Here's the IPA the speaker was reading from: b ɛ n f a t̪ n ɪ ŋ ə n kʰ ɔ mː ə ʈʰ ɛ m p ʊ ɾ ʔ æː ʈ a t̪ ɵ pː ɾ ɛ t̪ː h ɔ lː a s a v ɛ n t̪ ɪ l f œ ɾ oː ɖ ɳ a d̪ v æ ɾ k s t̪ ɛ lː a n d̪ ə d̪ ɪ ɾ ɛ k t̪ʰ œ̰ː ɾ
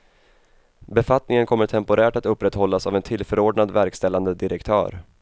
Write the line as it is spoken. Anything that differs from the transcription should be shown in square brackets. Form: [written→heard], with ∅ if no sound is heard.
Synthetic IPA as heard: b ɛ [n→∅] f a t̪ n ɪ ŋ ə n kʰ ɔ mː ə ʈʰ ɛ m p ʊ ɾ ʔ æː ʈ a t̪ ɵ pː ɾ ɛ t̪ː h ɔ lː a s a v ɛ n [t̪→t̪ʰ] ɪ l f œ ɾ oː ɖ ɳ a d̪ v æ ɾ k s t̪ ɛ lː a n d̪ ə d̪ ɪ ɾ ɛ k t̪ʰ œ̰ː ɾ